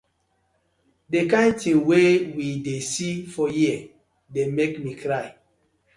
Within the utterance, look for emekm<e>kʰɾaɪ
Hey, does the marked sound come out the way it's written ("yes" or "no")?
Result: no